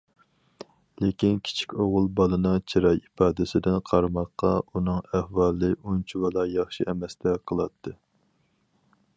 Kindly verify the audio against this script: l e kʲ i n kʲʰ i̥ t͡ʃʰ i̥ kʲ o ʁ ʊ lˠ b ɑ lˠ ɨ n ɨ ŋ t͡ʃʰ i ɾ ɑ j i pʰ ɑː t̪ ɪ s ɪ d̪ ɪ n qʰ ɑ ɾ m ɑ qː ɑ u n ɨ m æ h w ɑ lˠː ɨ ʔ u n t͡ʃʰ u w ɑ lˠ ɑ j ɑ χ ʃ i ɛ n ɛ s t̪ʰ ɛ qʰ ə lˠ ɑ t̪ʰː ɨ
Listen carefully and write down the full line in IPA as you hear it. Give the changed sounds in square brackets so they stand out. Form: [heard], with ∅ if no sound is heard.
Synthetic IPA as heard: l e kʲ i n kʲʰ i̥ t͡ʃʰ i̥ kʲ o ʁ ʊ lˠ b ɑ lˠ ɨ n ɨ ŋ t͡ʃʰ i ɾ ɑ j i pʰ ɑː [d̪] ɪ s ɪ d̪ ɪ n qʰ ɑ ɾ m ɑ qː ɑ u n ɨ [ŋ] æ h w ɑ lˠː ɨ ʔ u n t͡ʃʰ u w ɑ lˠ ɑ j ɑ χ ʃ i ɛ [m] ɛ s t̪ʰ ɛ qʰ ə lˠ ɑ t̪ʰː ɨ